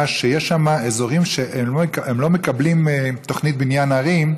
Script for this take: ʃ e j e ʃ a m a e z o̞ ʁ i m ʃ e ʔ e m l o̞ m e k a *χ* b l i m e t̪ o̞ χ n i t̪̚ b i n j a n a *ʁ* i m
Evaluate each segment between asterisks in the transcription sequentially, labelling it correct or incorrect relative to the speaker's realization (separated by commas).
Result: incorrect, correct